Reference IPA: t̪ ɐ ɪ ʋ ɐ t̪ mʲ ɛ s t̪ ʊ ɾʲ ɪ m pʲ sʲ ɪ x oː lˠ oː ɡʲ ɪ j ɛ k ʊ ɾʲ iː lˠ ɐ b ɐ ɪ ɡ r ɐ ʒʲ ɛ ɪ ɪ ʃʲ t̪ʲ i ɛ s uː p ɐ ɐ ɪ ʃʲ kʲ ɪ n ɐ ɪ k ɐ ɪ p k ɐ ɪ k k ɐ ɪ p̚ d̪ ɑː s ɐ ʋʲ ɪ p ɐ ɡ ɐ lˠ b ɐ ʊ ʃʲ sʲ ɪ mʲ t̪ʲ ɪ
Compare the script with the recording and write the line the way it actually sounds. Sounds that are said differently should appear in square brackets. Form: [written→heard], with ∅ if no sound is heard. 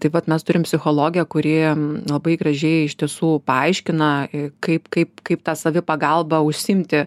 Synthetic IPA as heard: t̪ ɐ ɪ ʋ ɐ t̪ mʲ ɛ s t̪ ʊ ɾʲ ɪ m pʲ sʲ ɪ x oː lˠ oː ɡʲ ɪ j ɛ k ʊ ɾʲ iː lˠ ɐ b ɐ ɪ ɡ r ɐ ʒʲ ɛ ɪ ɪ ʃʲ t̪ʲ i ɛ s uː p ɐ ɐ ɪ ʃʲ kʲ ɪ n ɐ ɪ k ɐ ɪ p k ɐ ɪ [k→p] k ɐ ɪ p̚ [d̪→t̪] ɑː s ɐ ʋʲ ɪ p ɐ ɡ ɐ lˠ b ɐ ʊ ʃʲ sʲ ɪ mʲ t̪ʲ ɪ